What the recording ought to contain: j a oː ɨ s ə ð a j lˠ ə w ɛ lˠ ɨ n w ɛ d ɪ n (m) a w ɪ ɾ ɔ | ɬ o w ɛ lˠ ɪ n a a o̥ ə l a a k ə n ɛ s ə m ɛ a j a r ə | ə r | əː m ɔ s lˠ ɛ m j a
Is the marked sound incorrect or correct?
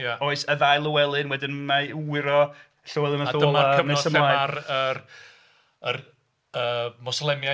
correct